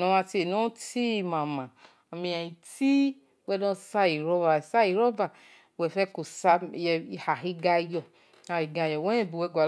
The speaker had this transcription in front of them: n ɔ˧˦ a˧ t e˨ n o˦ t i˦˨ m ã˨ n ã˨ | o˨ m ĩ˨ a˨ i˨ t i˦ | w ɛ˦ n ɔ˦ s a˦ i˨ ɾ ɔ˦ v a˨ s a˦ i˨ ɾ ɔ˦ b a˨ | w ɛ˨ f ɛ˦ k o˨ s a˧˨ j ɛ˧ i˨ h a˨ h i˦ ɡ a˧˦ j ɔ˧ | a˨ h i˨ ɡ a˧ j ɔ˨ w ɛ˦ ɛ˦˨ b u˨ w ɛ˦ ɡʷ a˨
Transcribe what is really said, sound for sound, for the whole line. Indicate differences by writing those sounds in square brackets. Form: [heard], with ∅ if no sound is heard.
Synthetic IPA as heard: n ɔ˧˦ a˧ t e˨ n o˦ t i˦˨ m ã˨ [m] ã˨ | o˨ m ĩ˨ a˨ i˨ t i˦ | w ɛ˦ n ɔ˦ s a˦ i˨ ɾ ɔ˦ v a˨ s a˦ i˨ ɾ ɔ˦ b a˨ | w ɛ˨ f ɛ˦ k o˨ s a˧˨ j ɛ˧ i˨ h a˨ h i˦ ɡ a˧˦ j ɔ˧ | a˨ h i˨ ɡ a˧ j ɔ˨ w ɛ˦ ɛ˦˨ b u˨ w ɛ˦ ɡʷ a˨